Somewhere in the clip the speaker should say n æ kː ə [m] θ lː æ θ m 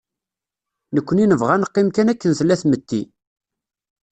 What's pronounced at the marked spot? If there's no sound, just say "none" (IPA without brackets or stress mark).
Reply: n